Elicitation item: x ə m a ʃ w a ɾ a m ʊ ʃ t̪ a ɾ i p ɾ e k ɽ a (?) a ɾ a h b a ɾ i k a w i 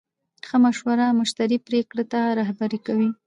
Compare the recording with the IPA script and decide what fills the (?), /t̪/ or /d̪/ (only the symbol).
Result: t̪